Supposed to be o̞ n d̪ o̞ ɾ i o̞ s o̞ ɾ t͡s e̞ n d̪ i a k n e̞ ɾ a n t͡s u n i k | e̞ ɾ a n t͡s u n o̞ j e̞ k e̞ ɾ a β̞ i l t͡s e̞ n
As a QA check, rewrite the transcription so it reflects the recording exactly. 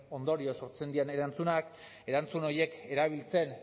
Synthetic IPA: o̞ n d̪ o̞ ɾ i o̞ s o̞ ɾ t͡s e̞ n d̪ i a n e̞ ɾ a n t͡s u n a k | e̞ ɾ a n t͡s u n o̞ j e̞ k e̞ ɾ a β̞ i l t͡s e̞ n

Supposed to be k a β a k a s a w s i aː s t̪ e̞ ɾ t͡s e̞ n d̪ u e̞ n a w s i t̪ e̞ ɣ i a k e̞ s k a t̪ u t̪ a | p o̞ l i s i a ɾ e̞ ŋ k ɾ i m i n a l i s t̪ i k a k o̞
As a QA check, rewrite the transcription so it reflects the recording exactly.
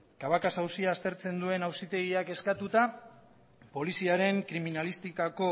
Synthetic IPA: k a β a k a s a w s i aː s t̪ e̞ ɾ t͡s e̞ n d̪ u e̞ n a w s i t̪ e̞ ɣ i a k e̞ s k a t̪ u t̪ a | p o̞ l i s i a ɾ e̞ ŋ k ɾ i m i n a l i s t̪ i k a k o̞

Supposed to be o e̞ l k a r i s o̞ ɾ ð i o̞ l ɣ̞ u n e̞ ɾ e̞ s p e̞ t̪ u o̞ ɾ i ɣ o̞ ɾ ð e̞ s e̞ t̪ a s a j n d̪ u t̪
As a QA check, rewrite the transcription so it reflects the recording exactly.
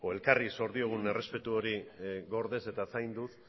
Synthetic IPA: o e̞ l k a r i s o̞ ɾ ð i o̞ ɣ̞ u n e̞ r e̞ s p e̞ t̪ u o̞ ɾ i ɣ o̞ ɾ ð e̞ s e̞ t̪ a s a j n d̪ u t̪

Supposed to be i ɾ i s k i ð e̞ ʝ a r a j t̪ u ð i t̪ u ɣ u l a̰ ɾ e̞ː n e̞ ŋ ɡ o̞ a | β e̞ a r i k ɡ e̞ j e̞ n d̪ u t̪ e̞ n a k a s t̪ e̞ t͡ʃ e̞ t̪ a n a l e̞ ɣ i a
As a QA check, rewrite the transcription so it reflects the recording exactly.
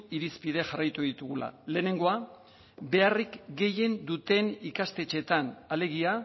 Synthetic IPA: i ɾ i s p i ð e̞ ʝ a r a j t̪ u ð i t̪ u ɣ u l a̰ l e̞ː n e̞ ŋ ɡ o̞ a | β e̞ a r i k ɡ e̞ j e̞ n d̪ u t̪ e̞ n i k a s t̪ e̞ t͡ʃ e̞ t̪ a n a l e̞ ɣ i a

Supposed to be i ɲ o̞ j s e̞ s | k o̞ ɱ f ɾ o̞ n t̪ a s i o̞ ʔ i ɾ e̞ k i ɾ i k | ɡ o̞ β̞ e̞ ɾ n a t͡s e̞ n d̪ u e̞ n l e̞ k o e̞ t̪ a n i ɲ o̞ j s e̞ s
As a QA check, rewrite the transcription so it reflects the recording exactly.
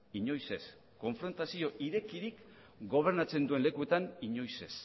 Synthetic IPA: i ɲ o̞ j s e̞ s | k o̞ ɱ f ɾ o̞ n t̪ a s i o̞ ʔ i ɾ e̞ k i ɾ i k | ɡ o̞ β̞ e̞ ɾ n a t͡s e̞ n d̪ u e̞ n l e̞ k u e̞ t̪ a n i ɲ o̞ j s e̞ s

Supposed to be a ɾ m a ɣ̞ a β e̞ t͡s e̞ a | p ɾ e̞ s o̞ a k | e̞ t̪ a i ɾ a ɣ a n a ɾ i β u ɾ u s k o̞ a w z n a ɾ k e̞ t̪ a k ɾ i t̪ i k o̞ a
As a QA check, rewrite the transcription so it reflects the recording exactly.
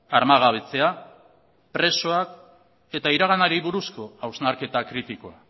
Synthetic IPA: a ɾ m a ɣ̞ a β e̞ t͡s e̞ a | p ɾ e̞ s o̞ a k | e̞ t̪ a i ɾ a ɣ a n a ɾ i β u ɾ u s k o̞ a w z n a ɾ k e̞ t̪ a k ɾ i t̪ i k o̞ a

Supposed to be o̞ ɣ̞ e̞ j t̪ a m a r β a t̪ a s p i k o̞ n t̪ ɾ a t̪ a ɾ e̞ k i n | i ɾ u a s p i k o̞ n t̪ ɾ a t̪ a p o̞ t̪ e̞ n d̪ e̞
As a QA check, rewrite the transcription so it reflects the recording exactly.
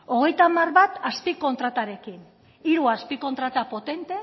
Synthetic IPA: o̞ ɣ̞ e̞ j t̪ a m a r β a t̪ a s p i k o̞ n t̪ ɾ a t̪ a ɾ e̞ k i n | i ɾ u a s p i k o̞ n t̪ ɾ a t̪ a p o̞ t̪ e̞ n t̪ e̞

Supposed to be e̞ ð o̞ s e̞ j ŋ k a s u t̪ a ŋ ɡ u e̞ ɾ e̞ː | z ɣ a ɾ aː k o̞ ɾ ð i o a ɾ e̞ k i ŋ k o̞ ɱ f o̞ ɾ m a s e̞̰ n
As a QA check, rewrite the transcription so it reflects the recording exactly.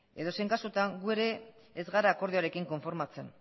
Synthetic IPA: e̞ ð o̞ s e̞ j ŋ k a s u t̪ a ŋ ɡ u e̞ ɾ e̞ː | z ɣ a ɾ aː k o̞ ɾ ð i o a ɾ e̞ k i ŋ k o̞ ɱ f o̞ ɾ m a t͡s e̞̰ n

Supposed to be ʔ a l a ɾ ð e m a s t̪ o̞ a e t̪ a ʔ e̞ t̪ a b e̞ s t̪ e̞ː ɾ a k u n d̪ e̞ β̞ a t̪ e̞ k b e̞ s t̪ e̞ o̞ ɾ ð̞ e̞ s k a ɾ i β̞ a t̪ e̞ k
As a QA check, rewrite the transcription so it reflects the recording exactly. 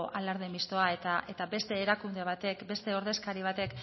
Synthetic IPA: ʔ a l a ɾ ð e m i s t̪ o̞ a e t̪ a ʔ e̞ t̪ a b e̞ s t̪ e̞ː ɾ a k u n d̪ e̞ β̞ a t̪ e̞ k b e̞ s t̪ e̞ o̞ ɾ ð̞ e̞ s k a ɾ i β̞ a t̪ e̞ k

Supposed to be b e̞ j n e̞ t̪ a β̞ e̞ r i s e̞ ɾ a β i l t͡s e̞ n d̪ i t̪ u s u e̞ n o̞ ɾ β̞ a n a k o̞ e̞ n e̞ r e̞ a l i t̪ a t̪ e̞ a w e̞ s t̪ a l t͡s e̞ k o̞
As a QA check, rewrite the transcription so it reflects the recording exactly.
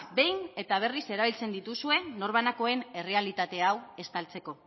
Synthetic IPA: b e̞ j n e̞ t̪ a β̞ e̞ r i s e̞ ɾ a β i l t͡s e̞ n d̪ i t̪ u s u e̞ n o̞ ɾ β̞ a n a k o̞ e̞ n e̞ r e̞ a l i t̪ a t̪ e̞ a w e̞ s t̪ a l t͡s e̞ k o̞

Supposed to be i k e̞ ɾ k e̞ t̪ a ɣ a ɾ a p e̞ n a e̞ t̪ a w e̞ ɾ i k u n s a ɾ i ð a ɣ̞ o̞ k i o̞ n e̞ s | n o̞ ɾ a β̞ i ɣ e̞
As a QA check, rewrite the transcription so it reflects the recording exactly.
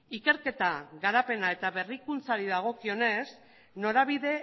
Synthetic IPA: i k e̞ ɾ k e̞ t̪ a ɣ a ɾ a p e̞ n a e̞ t̪ a β e̞ r i k u n t͡s a ɾ i ð a ɣ̞ o̞ k i o̞ n e̞ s | n o̞ ɾ a β̞ i ð e̞

